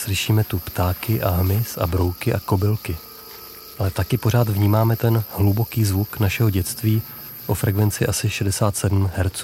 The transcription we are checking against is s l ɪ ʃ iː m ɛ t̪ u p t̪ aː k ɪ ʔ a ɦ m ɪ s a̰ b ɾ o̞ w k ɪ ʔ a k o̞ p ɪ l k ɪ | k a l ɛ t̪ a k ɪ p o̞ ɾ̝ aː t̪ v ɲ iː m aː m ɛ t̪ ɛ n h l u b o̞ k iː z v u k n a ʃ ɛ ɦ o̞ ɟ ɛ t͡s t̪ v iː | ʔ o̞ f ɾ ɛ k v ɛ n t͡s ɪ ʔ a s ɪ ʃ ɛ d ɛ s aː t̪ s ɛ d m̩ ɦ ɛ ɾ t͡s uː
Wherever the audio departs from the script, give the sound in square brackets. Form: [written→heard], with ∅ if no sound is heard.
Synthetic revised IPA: s l ɪ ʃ iː m ɛ t̪ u p t̪ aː k ɪ ʔ a ɦ m ɪ s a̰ b ɾ o̞ w k ɪ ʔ a k o̞ [p→b] ɪ l k ɪ | [k→ʔ] a l ɛ t̪ a k ɪ p o̞ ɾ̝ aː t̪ v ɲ iː m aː m ɛ t̪ ɛ n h l u b o̞ k iː z v u k n a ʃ ɛ ɦ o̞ ɟ ɛ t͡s t̪ v iː | ʔ o̞ f ɾ ɛ k v ɛ n t͡s ɪ ʔ a s ɪ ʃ ɛ d ɛ s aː t̪ s ɛ d m̩ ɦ ɛ ɾ t͡s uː